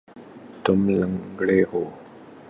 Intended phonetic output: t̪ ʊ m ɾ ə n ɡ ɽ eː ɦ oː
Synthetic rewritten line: t̪ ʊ m l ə ŋ ɡ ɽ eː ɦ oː